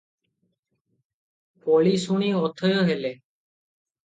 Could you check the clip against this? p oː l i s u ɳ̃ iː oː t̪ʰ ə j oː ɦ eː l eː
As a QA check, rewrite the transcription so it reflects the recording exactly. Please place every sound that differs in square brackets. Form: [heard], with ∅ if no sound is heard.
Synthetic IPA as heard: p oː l [iː] s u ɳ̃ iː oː t̪ʰ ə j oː ɦ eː l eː